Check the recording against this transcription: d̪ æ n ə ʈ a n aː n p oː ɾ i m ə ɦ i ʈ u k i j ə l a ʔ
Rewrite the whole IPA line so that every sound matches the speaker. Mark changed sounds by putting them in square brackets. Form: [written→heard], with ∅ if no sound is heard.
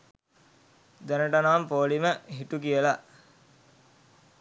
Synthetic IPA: d̪ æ n ə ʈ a n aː [n→m] p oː [ɾ→l] i m ə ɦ i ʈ u k i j ə l a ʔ